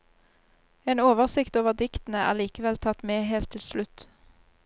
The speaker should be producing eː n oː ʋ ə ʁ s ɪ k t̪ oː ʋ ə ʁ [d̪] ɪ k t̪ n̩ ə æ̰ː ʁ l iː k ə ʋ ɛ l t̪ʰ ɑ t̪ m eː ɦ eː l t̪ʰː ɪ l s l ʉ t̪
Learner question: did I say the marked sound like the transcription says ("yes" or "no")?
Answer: yes